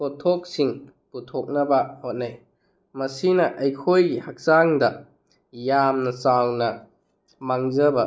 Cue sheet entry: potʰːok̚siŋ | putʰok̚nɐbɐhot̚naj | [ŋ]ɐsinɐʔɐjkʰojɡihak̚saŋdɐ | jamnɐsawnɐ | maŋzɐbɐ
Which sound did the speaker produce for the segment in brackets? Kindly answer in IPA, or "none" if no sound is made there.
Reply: m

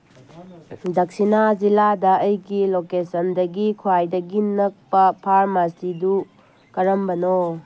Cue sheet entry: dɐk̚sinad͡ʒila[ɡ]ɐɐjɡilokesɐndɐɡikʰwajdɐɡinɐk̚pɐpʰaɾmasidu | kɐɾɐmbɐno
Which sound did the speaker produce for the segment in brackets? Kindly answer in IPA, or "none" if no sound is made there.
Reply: d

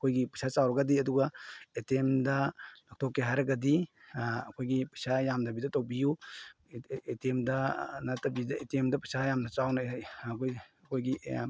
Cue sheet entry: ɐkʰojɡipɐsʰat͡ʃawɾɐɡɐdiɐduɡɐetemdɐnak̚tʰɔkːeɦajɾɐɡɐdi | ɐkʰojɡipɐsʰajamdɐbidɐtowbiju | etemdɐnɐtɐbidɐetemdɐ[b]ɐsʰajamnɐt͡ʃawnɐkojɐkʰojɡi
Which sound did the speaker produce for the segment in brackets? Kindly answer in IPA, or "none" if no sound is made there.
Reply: p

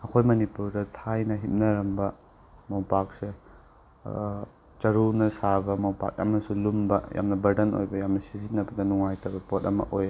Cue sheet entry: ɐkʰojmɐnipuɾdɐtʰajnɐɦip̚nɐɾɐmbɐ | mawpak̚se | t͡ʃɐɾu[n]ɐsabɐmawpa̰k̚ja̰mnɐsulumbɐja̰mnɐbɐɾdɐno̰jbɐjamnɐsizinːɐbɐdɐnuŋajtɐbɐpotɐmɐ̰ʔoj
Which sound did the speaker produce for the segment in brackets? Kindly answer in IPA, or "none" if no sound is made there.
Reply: n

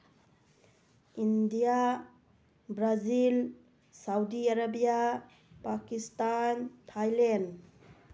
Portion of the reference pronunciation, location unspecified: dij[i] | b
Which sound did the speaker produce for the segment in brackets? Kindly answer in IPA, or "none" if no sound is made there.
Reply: a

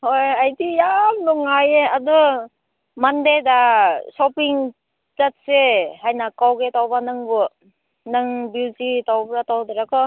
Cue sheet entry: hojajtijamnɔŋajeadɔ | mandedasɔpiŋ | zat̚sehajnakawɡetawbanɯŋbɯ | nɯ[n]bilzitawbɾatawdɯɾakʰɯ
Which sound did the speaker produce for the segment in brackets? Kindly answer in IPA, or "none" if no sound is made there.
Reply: ŋ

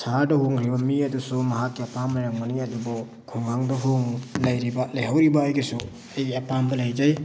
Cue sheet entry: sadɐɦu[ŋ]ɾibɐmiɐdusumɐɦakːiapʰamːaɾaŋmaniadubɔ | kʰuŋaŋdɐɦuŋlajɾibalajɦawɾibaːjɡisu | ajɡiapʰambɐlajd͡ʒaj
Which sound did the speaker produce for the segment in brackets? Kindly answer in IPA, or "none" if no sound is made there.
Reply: ŋ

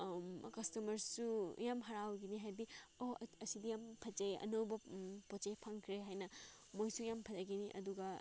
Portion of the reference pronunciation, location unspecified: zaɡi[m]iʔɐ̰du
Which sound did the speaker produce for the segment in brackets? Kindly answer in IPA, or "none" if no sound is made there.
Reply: n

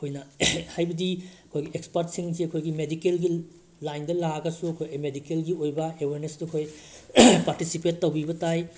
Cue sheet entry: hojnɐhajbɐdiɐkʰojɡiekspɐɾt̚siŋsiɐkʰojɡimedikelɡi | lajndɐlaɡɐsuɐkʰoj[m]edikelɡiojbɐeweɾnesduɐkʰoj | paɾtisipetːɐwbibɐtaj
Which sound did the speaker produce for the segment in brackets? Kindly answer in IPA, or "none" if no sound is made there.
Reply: m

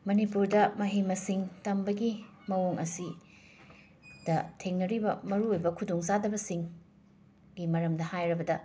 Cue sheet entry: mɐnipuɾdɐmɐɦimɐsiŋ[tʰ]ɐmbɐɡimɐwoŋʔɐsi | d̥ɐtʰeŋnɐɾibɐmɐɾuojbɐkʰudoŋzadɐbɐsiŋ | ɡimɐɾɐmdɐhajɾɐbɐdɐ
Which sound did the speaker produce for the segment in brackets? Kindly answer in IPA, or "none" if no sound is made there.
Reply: t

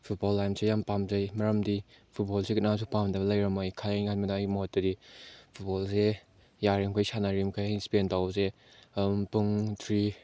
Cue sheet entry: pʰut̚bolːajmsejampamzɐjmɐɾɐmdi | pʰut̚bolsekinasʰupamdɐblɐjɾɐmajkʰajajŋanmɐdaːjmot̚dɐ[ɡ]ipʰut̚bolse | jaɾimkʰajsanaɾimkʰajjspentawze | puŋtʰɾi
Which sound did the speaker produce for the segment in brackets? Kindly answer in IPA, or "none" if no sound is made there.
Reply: d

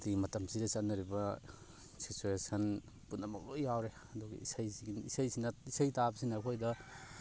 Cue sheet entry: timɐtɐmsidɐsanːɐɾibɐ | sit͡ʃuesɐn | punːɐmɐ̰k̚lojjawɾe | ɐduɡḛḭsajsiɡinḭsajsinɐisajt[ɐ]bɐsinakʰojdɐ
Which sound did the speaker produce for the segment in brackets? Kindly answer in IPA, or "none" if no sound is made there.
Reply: a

